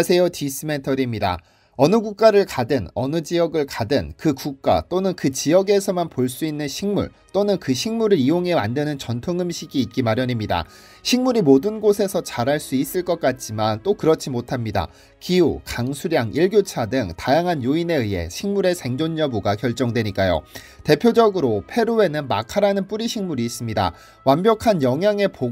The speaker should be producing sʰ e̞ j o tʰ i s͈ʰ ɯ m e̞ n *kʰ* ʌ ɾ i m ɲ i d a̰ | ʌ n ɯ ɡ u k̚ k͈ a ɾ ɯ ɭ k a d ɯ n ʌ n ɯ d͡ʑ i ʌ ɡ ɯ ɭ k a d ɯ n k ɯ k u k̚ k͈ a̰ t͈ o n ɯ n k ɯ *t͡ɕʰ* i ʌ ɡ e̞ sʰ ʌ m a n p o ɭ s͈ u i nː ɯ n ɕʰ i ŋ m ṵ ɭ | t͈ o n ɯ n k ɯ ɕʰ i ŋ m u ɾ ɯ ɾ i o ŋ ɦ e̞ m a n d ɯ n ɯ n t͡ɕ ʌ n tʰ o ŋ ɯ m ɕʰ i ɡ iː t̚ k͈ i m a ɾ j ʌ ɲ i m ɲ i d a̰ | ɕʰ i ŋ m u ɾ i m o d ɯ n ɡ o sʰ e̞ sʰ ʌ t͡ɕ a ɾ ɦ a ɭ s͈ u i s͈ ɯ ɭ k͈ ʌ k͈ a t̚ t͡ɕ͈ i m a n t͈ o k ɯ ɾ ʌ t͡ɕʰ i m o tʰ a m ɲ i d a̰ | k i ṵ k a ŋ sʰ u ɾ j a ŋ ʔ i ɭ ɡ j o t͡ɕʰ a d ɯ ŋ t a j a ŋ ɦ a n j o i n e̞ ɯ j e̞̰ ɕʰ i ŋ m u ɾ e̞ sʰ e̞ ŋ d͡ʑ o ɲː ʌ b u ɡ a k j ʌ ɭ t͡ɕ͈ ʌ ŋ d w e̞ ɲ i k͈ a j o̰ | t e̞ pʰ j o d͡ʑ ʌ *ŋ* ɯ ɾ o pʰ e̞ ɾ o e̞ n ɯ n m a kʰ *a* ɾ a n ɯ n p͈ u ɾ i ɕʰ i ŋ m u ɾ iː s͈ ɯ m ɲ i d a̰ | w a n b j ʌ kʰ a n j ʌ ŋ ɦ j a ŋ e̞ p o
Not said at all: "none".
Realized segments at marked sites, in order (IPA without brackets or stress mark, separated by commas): tʰ, t͡ɕ, ɡ, a